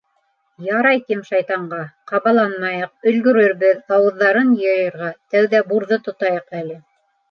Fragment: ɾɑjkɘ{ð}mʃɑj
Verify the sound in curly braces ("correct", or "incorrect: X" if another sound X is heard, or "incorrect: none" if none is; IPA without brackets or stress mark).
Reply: incorrect: none